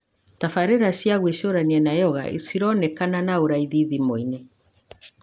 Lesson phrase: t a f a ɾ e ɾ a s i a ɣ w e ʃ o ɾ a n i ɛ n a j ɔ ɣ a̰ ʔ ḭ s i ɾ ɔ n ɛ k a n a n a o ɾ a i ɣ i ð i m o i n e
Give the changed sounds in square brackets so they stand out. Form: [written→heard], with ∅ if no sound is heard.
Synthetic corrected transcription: t a f a ɾ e ɾ a s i a ɣ w e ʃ o ɾ a n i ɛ n a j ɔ ɣ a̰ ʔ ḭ s i ɾ ɔ n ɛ k a n a n a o ɾ a i [ɣ→ð] i ð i m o i n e